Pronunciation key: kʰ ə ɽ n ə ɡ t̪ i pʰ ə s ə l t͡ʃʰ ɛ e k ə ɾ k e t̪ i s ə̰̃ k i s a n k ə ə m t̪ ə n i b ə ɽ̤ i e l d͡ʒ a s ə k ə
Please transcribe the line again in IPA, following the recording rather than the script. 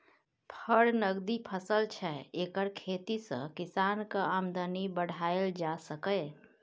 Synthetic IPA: pʰ ə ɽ n ə ɡ d̪ i pʰ ə s ə l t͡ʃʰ ɛ e k ə ɾ kʰ e t̪ i s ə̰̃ k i s a n k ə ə m d̪ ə n i b ə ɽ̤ a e l d͡ʒ a s ə k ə